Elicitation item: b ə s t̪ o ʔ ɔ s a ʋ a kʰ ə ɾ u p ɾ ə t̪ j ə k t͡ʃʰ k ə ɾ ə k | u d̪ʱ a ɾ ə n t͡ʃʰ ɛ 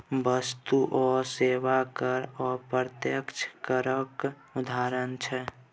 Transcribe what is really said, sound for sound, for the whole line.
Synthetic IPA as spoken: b ə s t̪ u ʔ ɔ s e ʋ a k ə ɾ ɔ p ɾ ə t̪ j ə k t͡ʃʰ k ə ɾ ə k | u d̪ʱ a ɾ ə n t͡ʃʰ ɛ